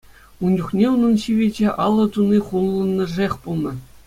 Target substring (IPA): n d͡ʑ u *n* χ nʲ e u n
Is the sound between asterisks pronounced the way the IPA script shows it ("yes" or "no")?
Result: no